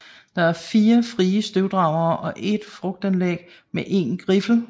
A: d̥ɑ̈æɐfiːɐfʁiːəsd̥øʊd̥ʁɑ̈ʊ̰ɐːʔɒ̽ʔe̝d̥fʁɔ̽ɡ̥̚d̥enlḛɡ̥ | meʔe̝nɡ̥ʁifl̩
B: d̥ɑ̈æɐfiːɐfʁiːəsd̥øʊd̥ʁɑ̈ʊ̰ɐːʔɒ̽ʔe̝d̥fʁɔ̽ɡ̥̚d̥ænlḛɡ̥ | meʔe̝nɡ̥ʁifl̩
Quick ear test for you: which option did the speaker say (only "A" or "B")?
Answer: B